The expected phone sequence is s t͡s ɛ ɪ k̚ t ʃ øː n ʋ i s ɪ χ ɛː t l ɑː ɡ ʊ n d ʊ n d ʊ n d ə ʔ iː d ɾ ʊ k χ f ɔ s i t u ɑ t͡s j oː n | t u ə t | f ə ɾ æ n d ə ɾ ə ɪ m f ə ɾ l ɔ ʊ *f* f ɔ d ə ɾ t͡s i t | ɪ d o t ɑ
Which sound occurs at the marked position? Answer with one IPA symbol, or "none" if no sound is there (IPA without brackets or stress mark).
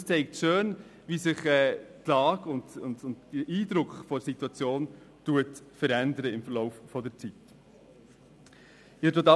f